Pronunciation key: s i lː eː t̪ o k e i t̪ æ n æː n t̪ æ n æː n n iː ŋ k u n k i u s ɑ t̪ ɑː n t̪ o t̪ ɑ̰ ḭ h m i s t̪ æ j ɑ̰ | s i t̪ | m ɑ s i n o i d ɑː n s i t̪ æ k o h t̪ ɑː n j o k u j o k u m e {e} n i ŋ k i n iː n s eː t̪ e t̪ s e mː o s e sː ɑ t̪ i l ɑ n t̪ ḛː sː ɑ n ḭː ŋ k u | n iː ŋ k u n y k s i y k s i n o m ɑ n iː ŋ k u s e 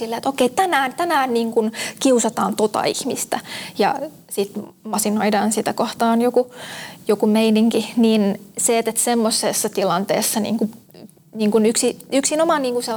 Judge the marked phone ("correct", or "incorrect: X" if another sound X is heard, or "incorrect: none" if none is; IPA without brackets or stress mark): incorrect: i